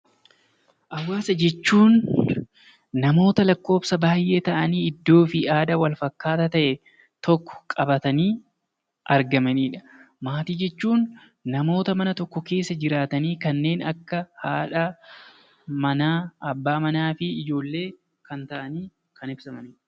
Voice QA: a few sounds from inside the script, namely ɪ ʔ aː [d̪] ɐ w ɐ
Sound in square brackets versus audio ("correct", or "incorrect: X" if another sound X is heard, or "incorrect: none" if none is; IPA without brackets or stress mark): correct